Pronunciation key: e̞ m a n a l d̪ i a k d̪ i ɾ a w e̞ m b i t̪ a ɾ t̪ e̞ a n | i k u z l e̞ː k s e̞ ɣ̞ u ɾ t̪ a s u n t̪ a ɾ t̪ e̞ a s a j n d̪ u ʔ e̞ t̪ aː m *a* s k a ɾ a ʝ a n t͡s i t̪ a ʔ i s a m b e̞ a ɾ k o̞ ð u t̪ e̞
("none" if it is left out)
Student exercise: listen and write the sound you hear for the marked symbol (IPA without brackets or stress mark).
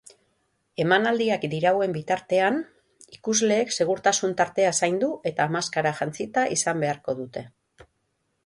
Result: a